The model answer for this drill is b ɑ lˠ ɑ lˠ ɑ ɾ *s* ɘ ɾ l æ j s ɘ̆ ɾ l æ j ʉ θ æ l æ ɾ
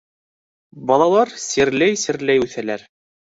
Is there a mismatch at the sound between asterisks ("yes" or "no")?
no